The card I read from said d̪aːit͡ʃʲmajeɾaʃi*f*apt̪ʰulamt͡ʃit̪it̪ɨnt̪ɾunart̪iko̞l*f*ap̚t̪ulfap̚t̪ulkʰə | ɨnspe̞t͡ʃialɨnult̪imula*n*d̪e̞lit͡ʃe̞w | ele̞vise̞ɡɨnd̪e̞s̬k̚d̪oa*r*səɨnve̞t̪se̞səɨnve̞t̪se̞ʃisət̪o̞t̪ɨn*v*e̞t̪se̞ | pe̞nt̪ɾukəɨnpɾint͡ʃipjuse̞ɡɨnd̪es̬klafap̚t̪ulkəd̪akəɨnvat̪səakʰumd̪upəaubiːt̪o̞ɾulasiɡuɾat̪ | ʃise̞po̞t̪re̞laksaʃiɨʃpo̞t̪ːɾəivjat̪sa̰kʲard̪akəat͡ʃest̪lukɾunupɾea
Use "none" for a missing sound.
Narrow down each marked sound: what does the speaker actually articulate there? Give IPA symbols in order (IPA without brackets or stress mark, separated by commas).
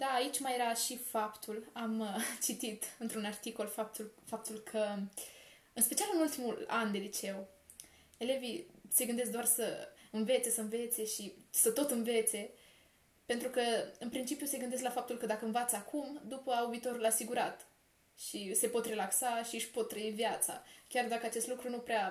f, f, n, r, v